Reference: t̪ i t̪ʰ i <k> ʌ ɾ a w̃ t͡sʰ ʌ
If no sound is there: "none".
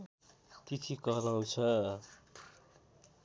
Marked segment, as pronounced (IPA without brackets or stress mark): k